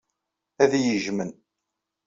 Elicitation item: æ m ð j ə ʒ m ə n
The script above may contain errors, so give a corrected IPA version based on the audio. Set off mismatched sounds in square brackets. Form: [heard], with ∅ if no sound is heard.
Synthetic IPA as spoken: æ [∅] ð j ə ʒ m ə n